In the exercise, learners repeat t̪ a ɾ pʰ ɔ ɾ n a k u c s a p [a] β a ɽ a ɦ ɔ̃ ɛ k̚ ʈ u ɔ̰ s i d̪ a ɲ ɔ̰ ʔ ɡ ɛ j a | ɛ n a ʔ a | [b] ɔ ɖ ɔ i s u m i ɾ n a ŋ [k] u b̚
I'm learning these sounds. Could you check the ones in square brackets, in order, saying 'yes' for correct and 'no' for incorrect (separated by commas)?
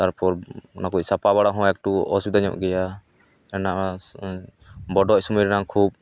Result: yes, yes, no